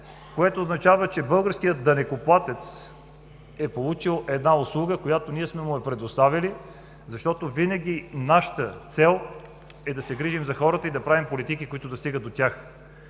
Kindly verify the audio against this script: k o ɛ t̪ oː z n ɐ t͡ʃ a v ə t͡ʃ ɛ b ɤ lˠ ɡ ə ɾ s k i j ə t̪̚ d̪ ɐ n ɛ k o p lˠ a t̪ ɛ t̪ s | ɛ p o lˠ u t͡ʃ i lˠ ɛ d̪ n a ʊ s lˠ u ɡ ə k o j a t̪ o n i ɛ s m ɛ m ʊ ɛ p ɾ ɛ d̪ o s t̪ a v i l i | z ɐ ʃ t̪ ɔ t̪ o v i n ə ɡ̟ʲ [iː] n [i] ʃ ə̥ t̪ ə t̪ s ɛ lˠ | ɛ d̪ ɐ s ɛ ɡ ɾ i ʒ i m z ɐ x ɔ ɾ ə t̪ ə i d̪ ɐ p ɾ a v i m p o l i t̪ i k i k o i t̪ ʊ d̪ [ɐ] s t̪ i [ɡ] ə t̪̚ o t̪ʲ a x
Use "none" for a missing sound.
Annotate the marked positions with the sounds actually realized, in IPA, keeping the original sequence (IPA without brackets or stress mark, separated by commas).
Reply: i, a, ɐ, ɡ